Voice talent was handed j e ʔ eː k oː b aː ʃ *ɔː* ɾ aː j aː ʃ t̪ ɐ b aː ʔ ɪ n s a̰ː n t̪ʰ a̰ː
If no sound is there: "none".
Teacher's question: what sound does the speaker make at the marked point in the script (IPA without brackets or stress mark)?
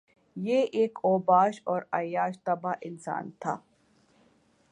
ɔː